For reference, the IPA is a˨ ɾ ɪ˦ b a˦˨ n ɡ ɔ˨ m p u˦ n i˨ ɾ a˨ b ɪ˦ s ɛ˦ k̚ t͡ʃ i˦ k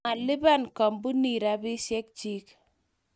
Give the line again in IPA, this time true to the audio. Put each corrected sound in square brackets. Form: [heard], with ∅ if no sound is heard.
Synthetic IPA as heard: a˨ [l] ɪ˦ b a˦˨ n [k] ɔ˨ m [b] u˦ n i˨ ɾ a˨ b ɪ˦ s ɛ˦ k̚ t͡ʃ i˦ k